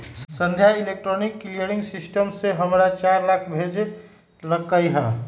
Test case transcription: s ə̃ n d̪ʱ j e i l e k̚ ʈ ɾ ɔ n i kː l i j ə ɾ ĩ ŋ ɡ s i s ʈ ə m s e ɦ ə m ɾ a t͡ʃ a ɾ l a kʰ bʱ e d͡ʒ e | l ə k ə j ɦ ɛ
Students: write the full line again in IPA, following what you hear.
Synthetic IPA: s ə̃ n d̪ʱ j a i l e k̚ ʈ ɾ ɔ n i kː l i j ə ɾ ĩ ŋ ɡ s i s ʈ ə m s e ɦ ə m ɾ a t͡ʃ a ɾ l a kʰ bʱ e d͡ʒ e | l ə k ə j ɦ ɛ